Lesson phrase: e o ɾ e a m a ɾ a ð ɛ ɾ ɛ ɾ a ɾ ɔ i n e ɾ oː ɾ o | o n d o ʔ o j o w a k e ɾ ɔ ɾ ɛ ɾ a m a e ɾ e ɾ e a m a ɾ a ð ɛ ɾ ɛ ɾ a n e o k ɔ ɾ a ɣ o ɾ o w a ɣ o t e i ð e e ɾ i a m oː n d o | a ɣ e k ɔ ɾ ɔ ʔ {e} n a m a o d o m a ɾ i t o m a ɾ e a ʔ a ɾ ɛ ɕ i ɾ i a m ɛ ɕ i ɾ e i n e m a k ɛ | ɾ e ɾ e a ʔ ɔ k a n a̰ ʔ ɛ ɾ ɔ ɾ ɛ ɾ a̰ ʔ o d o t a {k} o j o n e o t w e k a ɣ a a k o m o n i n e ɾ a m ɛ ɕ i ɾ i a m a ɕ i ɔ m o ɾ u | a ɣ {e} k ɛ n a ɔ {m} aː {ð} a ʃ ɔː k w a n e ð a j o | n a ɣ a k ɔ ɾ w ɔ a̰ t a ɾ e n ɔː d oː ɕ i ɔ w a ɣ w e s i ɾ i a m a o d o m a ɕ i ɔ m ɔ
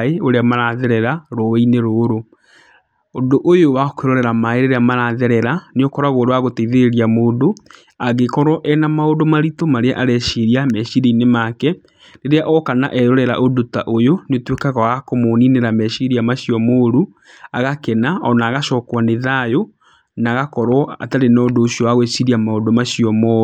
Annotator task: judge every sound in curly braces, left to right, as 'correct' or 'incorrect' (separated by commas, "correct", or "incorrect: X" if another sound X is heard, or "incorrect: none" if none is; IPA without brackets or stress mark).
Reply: incorrect: ɛ, incorrect: ʔ, incorrect: a, incorrect: n, incorrect: ɣ